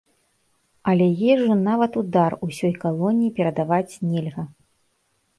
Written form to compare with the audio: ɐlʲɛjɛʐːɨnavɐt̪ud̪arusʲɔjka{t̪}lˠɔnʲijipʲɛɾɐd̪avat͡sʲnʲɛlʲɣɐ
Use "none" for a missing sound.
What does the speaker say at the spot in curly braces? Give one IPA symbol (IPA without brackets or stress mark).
none